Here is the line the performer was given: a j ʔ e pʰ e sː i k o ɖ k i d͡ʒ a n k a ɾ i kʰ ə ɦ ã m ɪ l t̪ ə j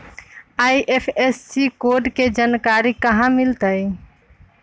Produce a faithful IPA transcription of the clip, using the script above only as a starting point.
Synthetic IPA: a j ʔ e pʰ e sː i k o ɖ k e d͡ʒ a n k a ɾ i k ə ɦ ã m i l t̪ ə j